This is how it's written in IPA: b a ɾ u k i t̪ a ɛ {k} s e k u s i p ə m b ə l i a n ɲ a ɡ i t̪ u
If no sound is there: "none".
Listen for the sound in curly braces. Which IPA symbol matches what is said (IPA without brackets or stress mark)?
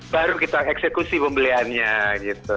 k